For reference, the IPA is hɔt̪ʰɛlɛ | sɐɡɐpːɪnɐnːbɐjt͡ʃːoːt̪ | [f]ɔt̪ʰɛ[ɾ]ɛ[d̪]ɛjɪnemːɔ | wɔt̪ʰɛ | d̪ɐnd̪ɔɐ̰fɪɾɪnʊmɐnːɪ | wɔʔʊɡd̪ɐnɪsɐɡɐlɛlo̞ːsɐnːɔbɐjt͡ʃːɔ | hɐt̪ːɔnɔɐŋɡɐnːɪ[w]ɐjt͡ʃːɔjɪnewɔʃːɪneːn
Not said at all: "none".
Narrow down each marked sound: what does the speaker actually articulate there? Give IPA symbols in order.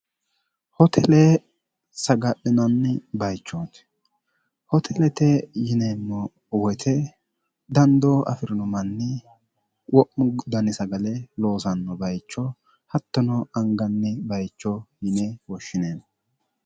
h, l, t̪, b

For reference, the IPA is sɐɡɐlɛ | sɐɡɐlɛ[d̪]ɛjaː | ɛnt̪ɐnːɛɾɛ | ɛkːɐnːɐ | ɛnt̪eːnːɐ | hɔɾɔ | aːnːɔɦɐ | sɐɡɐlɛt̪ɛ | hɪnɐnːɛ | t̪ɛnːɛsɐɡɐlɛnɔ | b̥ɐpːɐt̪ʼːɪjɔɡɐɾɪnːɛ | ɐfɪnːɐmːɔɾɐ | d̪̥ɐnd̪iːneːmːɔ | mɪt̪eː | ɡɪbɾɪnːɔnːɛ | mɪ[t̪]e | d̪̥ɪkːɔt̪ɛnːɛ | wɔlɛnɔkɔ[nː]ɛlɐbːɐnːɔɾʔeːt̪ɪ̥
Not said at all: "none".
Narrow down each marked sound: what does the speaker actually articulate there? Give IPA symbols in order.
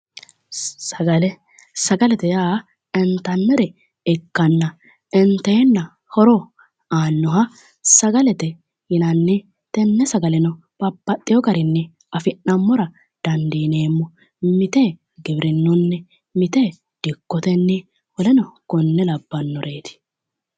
t̪, t̪, nː

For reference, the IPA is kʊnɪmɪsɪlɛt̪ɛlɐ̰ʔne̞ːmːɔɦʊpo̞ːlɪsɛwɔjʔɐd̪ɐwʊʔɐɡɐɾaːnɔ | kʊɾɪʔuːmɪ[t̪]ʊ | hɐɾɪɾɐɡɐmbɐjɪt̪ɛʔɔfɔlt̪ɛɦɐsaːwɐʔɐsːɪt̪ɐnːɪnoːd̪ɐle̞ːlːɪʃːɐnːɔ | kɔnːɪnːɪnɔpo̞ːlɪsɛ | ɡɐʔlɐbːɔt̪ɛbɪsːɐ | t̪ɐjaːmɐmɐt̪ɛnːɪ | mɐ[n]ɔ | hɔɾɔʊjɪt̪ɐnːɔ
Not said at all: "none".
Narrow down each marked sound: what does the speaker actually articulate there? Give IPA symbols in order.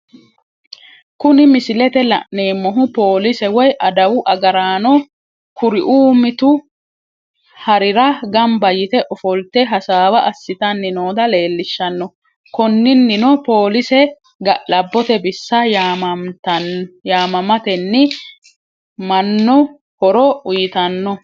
t̪, nː

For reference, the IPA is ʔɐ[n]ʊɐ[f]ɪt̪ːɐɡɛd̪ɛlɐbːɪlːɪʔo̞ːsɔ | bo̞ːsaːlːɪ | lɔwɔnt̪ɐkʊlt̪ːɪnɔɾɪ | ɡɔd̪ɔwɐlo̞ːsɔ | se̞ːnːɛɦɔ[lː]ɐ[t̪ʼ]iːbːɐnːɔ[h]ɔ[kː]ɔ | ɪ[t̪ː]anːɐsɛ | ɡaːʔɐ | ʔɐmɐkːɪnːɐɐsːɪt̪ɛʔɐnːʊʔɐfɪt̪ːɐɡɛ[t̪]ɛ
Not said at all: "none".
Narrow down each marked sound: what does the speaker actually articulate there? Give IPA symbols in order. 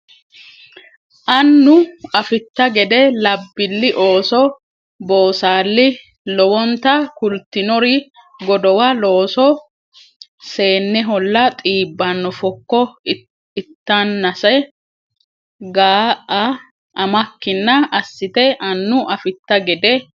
nː, f, lː, t̪ʼ, f, kː, t̪ː, d̪

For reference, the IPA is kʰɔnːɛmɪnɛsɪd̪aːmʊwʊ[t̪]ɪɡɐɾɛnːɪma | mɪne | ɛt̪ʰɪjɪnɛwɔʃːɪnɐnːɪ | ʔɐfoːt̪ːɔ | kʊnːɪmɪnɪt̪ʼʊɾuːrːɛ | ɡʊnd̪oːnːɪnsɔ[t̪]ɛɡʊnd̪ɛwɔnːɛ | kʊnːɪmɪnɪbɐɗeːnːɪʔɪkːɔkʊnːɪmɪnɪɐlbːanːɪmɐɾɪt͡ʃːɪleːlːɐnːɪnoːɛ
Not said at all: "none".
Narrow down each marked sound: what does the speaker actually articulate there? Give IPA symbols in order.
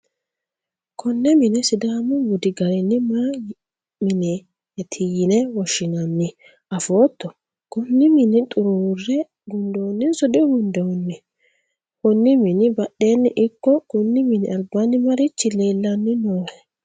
d̪, d̪

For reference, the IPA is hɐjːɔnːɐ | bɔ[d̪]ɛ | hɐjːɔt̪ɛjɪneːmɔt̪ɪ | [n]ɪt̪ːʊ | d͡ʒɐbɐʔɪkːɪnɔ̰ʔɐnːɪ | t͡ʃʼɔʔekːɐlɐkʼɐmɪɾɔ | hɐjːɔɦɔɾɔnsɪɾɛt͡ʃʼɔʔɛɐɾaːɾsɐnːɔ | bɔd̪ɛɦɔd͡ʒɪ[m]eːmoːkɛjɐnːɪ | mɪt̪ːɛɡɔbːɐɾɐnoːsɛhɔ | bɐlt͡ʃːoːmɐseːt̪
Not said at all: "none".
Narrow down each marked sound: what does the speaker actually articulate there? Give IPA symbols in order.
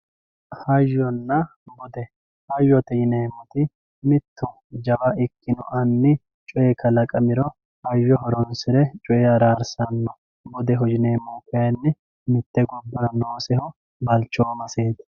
d̪, m, n

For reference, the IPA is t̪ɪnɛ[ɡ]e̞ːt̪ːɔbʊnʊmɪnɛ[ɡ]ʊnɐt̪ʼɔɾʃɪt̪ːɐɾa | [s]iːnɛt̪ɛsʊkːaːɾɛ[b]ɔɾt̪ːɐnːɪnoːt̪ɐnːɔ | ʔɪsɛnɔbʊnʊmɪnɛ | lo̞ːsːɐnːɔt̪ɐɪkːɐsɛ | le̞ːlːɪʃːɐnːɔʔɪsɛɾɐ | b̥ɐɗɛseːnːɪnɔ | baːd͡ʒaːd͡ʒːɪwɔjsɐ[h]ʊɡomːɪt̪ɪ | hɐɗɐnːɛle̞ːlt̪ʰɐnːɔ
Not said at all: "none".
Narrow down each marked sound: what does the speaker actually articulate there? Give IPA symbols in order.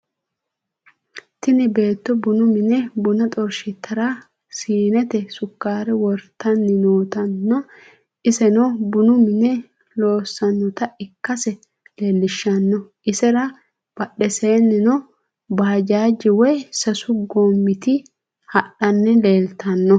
b, b, s, w, s

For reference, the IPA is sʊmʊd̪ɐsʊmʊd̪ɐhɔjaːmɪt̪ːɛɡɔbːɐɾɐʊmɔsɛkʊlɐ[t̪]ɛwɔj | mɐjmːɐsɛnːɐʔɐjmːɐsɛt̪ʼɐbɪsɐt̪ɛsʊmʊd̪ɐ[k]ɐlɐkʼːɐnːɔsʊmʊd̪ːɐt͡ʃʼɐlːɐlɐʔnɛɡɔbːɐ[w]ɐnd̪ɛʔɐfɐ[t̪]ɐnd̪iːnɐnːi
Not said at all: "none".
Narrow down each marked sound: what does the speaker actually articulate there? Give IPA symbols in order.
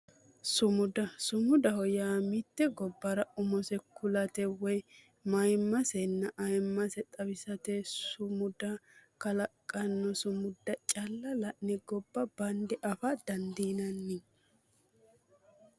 t̪, k, b, d̪

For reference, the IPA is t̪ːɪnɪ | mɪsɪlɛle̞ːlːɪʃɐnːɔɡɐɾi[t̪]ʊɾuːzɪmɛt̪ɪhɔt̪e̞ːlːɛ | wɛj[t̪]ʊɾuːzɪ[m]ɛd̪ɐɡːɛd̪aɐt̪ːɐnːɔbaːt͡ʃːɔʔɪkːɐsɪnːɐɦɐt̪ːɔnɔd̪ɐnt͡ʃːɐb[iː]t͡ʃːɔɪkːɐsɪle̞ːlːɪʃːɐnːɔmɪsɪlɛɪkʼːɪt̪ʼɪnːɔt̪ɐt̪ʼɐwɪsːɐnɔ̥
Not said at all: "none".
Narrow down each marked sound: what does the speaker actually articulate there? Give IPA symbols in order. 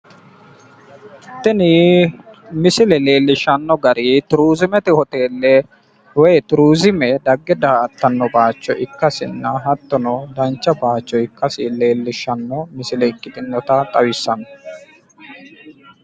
t̪, t̪, m, aː

